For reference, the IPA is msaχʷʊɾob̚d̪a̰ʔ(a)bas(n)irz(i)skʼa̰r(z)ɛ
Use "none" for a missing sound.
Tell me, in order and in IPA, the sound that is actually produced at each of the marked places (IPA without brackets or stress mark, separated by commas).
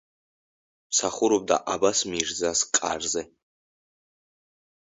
a, m, a, z